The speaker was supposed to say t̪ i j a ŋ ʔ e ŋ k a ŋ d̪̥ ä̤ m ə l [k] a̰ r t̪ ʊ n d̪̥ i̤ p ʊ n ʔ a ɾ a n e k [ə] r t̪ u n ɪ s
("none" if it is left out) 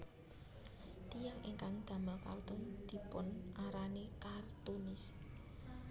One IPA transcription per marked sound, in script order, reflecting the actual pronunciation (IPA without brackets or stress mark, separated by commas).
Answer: k, a